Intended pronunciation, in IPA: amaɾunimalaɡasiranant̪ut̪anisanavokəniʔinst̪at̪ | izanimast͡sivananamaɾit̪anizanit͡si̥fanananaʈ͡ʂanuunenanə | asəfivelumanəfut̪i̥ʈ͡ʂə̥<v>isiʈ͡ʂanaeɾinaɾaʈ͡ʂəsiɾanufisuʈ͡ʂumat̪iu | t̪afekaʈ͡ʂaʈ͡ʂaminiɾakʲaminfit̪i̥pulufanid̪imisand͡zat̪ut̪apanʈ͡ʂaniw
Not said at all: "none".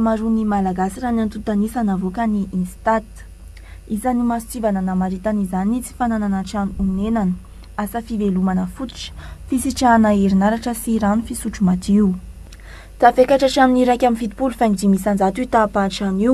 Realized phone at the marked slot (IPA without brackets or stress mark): f